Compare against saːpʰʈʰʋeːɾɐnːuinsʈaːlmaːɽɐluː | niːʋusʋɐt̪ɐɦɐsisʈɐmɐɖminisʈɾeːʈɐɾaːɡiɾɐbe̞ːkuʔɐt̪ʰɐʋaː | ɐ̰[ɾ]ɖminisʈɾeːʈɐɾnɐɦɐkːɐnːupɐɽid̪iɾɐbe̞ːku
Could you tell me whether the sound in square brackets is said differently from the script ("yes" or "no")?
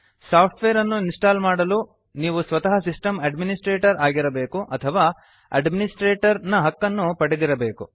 yes